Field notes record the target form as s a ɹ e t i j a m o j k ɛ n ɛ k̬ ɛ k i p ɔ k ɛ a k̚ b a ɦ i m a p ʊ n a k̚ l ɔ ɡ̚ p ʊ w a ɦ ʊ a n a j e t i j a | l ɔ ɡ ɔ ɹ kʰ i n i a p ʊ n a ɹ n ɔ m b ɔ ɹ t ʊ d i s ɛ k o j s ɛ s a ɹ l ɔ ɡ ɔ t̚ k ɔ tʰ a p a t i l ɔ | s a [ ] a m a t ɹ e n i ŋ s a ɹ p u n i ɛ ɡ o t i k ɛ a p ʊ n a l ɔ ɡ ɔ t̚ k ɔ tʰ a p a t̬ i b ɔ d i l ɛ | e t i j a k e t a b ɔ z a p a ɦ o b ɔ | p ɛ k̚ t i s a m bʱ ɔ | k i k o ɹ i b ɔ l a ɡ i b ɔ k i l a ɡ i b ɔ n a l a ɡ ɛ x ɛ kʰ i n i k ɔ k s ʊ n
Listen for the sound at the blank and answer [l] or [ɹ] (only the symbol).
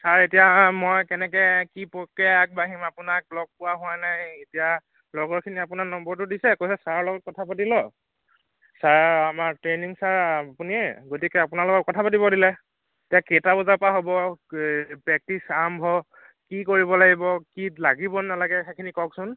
ɹ